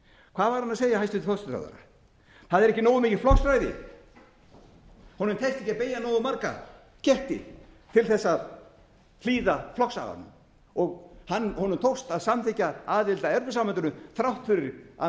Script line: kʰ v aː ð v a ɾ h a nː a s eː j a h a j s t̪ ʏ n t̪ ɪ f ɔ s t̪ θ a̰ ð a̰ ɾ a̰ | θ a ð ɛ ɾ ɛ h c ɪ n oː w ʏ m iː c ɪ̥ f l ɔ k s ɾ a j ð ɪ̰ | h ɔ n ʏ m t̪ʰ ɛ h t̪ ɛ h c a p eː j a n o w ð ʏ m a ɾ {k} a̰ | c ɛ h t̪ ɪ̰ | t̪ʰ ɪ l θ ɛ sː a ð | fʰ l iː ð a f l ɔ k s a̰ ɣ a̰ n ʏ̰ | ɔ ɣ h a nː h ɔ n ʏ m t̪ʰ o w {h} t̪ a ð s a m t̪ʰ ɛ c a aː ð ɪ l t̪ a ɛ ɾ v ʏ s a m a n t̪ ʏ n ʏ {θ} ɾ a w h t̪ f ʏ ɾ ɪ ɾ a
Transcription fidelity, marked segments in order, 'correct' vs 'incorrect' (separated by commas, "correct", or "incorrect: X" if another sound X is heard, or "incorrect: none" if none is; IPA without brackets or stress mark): correct, incorrect: s, correct